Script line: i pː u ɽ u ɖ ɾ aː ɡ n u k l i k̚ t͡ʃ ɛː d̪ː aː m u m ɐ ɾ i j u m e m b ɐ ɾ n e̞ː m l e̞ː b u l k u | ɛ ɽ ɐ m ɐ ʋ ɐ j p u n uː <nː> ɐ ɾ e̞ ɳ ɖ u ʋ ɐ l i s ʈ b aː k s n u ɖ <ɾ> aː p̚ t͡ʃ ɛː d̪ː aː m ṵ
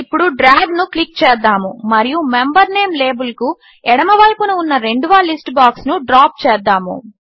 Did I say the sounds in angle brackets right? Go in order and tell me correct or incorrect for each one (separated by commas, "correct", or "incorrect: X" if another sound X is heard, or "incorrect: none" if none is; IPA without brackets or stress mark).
correct, correct